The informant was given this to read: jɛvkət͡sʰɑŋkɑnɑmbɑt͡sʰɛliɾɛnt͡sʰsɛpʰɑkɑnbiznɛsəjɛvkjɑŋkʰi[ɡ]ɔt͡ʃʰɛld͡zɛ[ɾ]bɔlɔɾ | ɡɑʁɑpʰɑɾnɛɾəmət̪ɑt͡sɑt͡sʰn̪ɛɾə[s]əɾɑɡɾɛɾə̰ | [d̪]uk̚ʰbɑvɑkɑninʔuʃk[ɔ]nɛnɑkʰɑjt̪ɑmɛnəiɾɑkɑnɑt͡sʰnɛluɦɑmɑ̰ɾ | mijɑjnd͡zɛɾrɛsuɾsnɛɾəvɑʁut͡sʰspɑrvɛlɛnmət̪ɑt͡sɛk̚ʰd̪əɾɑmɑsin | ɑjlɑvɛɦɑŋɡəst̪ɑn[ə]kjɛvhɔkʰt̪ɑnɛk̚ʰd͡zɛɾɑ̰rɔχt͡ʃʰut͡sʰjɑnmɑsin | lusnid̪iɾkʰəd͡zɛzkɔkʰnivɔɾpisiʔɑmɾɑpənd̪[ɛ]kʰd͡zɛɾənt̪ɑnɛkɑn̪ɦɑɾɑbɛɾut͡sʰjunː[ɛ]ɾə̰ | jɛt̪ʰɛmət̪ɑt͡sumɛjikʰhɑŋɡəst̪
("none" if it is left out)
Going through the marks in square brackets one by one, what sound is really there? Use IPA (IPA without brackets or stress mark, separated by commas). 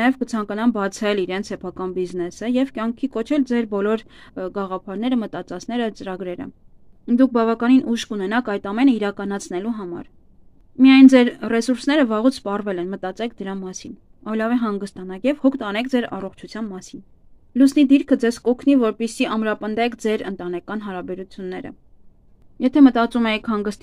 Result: k, ɾ, t͡s, d̪, u, ɑ, ɛ, ɛ